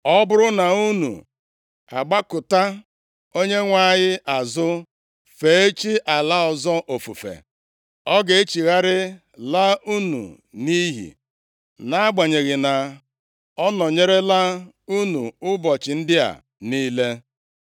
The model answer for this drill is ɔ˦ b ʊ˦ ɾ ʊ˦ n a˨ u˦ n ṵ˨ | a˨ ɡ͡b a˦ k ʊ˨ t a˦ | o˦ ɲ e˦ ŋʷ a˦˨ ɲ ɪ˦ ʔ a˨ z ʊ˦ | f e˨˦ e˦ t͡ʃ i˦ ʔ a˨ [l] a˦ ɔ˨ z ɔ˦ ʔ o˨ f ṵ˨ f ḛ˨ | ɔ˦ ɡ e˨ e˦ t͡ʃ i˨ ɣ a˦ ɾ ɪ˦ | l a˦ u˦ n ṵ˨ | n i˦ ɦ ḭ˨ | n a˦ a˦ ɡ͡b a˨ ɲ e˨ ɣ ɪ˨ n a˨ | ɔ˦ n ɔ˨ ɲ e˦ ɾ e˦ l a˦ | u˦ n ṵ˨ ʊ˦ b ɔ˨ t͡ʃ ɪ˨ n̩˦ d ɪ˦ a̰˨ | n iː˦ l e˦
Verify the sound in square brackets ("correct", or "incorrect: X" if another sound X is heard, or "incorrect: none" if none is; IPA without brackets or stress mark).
correct